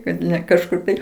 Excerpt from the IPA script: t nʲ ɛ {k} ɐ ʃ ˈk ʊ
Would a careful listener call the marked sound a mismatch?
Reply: no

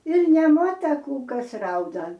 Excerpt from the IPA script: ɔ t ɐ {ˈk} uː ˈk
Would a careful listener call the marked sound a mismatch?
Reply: no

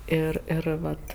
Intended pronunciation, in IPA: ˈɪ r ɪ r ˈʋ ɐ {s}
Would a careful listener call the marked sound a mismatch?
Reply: yes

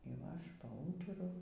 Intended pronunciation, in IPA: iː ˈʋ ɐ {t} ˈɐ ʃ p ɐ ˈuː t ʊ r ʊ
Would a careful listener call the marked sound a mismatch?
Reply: yes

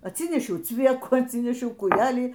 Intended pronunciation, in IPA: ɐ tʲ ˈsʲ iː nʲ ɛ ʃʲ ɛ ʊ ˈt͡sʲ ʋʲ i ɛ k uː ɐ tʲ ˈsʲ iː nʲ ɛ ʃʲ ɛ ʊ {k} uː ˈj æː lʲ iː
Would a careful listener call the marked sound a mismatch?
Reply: no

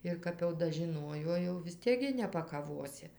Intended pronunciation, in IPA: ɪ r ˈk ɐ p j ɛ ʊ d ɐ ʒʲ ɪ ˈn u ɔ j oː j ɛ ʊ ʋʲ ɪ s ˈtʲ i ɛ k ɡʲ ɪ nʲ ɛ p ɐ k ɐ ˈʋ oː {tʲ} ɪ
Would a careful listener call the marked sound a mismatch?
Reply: yes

